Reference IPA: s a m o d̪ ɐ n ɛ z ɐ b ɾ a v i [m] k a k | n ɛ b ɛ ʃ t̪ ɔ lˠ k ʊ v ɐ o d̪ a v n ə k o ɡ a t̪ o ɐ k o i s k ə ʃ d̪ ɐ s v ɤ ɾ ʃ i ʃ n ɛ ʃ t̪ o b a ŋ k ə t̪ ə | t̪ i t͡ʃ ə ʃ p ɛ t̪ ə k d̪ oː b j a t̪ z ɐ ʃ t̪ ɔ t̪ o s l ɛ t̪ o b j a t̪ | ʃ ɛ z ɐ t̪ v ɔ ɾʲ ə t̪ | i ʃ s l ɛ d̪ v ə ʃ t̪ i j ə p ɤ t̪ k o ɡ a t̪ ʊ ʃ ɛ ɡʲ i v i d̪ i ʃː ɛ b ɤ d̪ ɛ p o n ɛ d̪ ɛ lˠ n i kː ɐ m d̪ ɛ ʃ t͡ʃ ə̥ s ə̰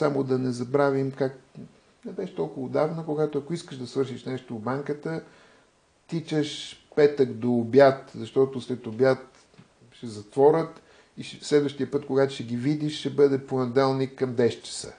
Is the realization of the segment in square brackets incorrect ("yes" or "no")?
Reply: no